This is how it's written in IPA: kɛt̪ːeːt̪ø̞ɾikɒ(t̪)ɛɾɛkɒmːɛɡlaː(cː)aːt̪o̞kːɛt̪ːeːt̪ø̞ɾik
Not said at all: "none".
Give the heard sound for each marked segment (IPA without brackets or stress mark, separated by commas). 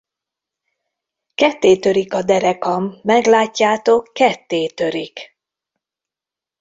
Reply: d̪, cː